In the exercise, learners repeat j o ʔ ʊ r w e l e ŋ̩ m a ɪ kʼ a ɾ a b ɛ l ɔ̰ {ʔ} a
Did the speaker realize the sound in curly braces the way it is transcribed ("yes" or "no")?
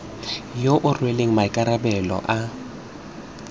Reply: yes